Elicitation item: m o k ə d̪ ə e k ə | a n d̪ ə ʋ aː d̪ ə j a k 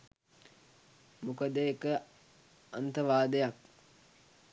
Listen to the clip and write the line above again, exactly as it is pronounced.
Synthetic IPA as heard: m u k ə d̪ ə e k ə | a n t̪ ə ʋ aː d̪ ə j a k